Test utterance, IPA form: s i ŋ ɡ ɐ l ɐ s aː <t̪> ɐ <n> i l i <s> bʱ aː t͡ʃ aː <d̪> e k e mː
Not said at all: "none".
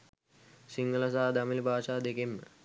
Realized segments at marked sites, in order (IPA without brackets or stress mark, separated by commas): d̪, m, none, d̪